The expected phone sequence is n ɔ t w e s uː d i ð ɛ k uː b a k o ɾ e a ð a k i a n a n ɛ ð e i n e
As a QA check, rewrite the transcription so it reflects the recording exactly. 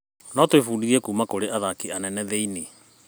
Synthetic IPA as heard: n ɔ t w e f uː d i ɣ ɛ k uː m a k o ɾ e a ð a k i a n ɛ n ɛ ð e i n e